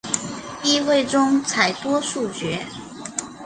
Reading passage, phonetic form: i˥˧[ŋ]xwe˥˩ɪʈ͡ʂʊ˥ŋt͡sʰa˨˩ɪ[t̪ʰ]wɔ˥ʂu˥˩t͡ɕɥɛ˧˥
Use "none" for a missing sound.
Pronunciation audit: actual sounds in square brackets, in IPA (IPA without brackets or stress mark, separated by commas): none, t̪